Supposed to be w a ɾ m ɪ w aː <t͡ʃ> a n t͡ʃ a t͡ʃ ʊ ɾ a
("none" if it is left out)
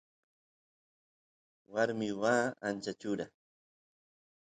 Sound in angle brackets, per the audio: none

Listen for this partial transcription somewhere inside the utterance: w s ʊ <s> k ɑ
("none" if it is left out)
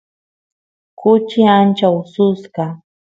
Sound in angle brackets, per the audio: s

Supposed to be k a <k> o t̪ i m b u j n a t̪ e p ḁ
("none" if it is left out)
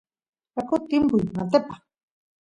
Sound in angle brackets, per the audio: k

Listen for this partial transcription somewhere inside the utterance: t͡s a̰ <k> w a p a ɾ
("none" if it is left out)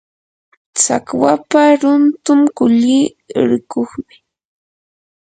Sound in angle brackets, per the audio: k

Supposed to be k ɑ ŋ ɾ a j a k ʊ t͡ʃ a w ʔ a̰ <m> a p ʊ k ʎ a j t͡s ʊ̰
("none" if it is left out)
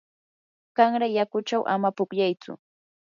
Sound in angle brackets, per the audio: m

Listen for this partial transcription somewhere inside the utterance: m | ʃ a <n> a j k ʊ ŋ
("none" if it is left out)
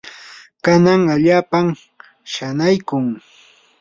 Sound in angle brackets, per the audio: n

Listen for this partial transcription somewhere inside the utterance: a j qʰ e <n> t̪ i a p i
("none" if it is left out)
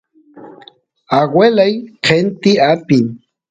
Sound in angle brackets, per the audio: n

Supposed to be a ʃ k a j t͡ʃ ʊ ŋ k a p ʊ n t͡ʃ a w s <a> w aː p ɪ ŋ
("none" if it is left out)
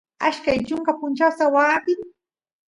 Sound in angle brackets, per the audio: a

